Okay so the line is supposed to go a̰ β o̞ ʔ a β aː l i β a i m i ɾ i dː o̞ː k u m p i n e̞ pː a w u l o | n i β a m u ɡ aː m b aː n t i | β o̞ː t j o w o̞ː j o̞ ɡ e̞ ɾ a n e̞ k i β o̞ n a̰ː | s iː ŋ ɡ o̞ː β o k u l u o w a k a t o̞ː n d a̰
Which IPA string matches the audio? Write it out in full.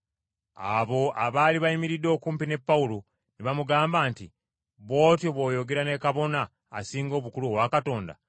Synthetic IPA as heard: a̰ β o̞ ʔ a β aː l i β a i m i ɾ i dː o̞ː k uː m p i n e̞ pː a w u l o | n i β a m u ɡ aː m b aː n t i | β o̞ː t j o β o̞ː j o̞ ɡ e̞ ɾ a n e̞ k a β o̞ n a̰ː | s iː ŋ ɡ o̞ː β u k u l u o w a k a t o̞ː n d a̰